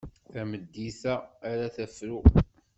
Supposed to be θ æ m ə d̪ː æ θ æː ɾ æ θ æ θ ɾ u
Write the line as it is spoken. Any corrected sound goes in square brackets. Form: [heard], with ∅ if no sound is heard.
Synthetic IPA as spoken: θ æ m ə d̪ː [i] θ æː ɾ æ θ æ [f] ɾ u